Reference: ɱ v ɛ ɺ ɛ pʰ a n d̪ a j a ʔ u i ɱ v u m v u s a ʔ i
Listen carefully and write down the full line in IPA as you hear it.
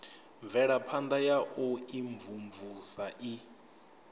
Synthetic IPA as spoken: ɱ v ɛ ɺ a pʰ a n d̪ a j a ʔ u i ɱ v u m v u s a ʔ i

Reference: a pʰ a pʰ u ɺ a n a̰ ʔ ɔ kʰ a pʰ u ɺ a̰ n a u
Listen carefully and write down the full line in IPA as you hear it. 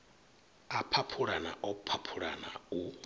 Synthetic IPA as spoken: a pʰ a pʰ u ɺ a n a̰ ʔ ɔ pʰ a pʰ u ɺ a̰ n a u

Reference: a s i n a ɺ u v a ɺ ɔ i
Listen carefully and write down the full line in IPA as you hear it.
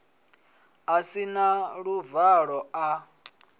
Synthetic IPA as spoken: a s i n a ɺ u v a ɺ ɔ a

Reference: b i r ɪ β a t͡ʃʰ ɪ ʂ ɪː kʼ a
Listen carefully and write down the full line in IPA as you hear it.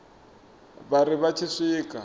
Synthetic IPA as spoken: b a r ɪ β a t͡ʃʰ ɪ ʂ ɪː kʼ a

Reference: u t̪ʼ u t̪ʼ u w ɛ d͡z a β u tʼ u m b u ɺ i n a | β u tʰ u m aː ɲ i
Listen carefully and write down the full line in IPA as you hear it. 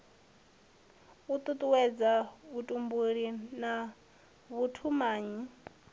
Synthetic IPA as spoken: u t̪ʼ u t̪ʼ u w ɛ d͡z a β u tʼ u m b u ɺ i n a | β u tʰ u m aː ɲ i

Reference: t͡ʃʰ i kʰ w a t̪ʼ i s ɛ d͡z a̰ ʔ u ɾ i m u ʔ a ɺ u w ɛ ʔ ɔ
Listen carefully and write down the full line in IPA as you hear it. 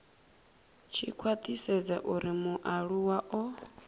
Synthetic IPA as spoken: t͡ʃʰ i kʰ w a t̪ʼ i s ɛ d͡z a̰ ʔ u ɾ i m u ʔ a ɺ u w a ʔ ɔ

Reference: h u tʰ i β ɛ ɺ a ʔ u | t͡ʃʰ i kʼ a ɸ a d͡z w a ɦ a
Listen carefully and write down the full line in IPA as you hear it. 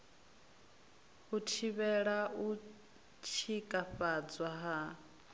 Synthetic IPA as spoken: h u tʰ i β ɛ ɺ a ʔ u | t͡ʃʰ i kʼ a ɸ a d͡z w a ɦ a

